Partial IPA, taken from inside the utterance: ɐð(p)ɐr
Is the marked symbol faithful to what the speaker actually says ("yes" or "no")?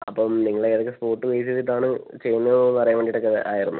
yes